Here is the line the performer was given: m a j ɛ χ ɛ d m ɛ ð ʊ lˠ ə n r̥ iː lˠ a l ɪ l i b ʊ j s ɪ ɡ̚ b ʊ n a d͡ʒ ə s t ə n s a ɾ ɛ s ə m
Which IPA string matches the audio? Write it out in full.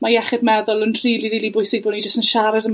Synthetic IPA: m a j ɛ χ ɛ d m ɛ ð ʊ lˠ ə n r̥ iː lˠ i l i l i b ʊ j s ɪ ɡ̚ b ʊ n i d͡ʒ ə s t ə n ʃ a ɾ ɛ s ə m